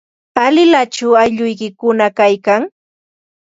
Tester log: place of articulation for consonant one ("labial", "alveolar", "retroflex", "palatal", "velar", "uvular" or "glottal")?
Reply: alveolar